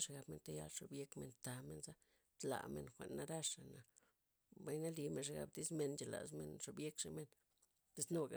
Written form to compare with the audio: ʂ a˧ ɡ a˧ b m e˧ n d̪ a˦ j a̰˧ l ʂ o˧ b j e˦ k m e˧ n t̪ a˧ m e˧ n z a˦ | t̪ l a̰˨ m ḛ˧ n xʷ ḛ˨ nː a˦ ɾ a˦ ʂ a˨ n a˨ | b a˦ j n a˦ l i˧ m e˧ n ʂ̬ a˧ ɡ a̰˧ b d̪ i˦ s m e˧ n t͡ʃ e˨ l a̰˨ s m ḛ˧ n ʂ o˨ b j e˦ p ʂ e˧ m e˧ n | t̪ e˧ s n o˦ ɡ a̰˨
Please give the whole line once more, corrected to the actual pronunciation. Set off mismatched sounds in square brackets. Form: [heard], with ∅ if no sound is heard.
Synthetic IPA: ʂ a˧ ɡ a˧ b m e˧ n [t̪] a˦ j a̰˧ l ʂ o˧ b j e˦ k m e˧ n t̪ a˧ m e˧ n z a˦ | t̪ l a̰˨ m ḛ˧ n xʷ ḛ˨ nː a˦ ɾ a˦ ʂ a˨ n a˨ | b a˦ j n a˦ l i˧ m e˧ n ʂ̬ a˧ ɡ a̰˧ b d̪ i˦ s m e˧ n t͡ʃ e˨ l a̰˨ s m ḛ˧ n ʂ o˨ b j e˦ [k] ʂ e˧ m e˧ n | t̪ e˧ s n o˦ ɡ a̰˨